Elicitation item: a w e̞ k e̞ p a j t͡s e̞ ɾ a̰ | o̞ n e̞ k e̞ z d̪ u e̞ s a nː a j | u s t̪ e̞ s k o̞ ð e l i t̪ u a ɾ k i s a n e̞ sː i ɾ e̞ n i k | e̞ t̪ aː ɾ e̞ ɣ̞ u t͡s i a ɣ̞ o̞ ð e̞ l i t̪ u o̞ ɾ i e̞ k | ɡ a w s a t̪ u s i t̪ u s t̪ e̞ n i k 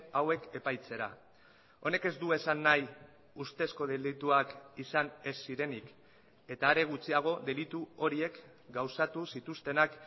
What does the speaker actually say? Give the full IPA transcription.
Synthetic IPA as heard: a w e̞ k e̞ p a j t͡s e̞ ɾ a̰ | o̞ n e̞ k e̞ z d̪ u e̞ s a nː a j | u s t̪ e̞ s k o̞ ð e l i t̪ u a k i s a n e̞ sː i ɾ e̞ n i k | e̞ t̪ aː ɾ e̞ ɣ̞ u t͡s i a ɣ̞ o̞ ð e̞ l i t̪ u o̞ ɾ i e̞ k | ɡ a w s a t̪ u s i t̪ u s t̪ e̞ n a k